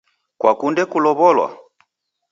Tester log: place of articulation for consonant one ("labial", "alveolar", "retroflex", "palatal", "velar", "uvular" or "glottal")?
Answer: velar